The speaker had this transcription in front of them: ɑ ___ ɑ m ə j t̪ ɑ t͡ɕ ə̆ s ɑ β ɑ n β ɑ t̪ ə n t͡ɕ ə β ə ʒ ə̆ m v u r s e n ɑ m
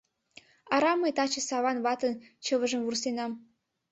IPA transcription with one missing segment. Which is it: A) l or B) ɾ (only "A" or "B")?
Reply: B